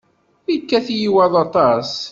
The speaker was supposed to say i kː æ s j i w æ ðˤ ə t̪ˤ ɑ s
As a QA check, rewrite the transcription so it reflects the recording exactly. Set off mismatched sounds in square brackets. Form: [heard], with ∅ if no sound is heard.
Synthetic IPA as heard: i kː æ [θ] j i w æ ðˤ [ɑ] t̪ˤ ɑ s